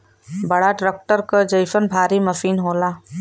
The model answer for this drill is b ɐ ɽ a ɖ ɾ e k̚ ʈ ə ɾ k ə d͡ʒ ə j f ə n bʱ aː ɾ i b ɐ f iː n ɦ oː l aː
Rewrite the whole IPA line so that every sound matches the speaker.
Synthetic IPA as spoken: b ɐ ɽ a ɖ ɾ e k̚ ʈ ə ɾ k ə d͡ʒ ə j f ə n bʱ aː ɾ i m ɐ f iː n ɦ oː l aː